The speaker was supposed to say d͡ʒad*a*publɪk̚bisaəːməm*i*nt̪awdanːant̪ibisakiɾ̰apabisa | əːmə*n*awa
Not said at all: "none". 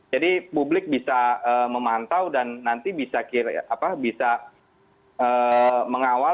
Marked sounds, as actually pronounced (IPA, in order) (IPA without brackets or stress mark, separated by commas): i, a, ŋ